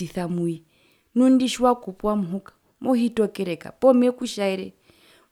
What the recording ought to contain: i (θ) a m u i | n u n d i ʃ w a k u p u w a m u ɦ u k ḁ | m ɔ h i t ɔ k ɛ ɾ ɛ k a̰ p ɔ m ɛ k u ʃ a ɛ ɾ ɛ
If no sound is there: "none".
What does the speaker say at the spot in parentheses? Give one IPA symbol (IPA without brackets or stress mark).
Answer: θ